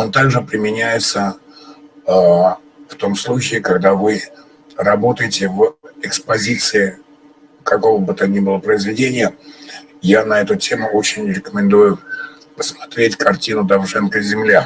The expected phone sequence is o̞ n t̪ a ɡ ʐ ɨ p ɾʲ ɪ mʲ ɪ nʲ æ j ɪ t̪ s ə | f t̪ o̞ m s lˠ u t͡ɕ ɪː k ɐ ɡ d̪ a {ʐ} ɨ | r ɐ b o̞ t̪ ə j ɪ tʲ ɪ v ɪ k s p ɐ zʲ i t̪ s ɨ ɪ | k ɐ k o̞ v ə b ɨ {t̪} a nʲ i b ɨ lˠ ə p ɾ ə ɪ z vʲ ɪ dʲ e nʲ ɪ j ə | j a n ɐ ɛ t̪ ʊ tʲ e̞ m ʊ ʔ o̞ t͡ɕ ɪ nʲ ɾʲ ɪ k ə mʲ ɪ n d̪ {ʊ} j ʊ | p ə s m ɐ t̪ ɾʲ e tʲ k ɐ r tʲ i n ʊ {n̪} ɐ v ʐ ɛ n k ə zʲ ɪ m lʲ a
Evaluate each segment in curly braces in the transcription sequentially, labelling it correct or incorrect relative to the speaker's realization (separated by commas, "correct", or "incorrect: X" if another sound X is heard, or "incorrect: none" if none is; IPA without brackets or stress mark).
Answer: incorrect: v, correct, incorrect: u, incorrect: d̪